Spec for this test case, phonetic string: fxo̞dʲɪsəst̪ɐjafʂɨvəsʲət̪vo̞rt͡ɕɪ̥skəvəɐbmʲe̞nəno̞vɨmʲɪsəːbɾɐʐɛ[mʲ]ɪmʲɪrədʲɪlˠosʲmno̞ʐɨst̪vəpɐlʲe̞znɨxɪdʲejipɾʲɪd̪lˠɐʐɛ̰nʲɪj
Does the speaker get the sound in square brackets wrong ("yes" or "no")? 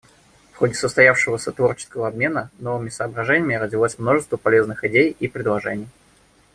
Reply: yes